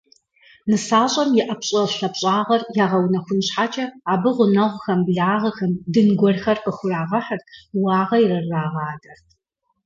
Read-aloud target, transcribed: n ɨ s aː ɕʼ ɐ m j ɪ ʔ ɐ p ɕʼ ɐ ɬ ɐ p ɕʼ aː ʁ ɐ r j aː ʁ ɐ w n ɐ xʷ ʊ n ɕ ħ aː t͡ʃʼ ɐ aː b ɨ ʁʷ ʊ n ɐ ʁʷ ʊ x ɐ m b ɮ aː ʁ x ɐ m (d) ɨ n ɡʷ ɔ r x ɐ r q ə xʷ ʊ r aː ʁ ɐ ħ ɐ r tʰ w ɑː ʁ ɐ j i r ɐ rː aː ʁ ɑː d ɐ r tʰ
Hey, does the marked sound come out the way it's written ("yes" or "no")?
yes